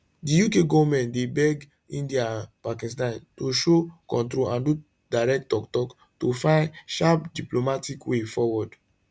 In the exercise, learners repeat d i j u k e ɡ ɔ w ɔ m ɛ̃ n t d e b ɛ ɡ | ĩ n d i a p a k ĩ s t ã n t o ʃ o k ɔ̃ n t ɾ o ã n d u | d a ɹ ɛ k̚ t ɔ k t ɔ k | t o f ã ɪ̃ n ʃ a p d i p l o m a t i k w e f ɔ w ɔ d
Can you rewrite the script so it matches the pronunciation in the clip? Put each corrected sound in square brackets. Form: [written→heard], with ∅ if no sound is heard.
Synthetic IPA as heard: d i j u k e ɡ ɔ [w→v] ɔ m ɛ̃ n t d e b ɛ ɡ | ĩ n d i a p a k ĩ s t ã n t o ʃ o k ɔ̃ n t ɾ o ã n d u | d a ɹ ɛ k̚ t ɔ k t ɔ k | t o f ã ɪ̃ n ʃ a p d i p l o m a t i k w e f ɔ w ɔ d